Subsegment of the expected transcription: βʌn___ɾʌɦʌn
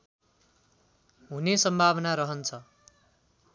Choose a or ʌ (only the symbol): a